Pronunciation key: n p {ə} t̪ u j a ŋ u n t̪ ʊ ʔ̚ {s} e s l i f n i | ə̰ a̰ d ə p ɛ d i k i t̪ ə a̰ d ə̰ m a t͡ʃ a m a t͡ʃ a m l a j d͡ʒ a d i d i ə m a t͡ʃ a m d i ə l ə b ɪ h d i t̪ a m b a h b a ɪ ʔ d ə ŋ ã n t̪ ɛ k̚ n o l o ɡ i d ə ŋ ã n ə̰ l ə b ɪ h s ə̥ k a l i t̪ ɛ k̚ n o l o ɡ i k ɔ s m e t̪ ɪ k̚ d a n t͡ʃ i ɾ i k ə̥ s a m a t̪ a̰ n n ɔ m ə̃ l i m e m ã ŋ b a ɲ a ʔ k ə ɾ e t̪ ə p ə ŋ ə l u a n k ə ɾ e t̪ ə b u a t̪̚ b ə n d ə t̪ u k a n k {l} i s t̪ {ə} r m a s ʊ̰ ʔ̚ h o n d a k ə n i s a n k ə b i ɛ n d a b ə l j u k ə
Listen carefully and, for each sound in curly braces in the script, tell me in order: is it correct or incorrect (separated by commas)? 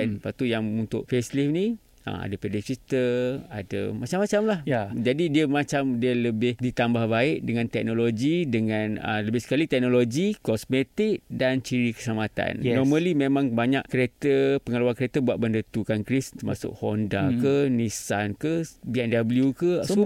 incorrect, incorrect, incorrect, correct